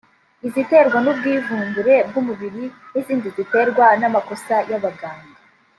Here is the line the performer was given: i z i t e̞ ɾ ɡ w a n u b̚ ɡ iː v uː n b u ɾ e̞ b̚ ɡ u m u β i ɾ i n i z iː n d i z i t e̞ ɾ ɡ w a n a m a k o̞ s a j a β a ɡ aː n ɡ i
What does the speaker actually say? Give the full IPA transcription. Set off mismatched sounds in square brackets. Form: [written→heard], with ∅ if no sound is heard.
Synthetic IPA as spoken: i z i t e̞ ɾ ɡ w a n u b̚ ɡ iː v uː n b u ɾ e̞ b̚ ɡ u m u β i ɾ i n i z iː n d i z i t e̞ ɾ ɡ w a n a m a k o̞ s a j a β a ɡ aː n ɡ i